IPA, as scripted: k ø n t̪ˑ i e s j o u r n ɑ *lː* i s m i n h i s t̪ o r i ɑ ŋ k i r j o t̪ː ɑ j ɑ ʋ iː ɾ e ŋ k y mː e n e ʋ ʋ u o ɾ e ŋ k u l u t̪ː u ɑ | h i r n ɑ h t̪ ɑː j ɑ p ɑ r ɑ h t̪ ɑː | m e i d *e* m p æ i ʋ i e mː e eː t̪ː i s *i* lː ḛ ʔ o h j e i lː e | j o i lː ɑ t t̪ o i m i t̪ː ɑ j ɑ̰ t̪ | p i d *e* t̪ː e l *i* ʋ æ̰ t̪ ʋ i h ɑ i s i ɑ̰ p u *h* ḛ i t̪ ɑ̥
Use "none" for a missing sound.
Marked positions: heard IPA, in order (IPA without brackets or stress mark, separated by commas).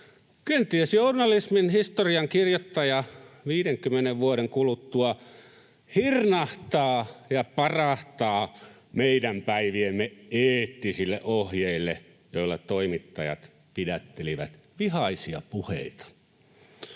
l, æ, i, æ, i, h